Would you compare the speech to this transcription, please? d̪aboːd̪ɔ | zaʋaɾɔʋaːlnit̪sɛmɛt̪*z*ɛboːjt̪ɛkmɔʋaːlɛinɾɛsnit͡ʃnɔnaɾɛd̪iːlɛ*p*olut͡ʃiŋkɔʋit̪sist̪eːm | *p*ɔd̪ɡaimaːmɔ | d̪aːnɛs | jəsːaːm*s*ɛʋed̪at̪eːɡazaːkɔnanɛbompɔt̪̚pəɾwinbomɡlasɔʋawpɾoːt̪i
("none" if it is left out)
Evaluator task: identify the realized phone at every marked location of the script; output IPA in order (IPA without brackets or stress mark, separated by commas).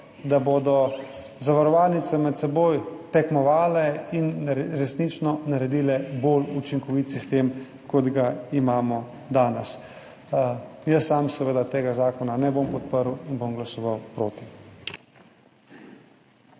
s, b, k, s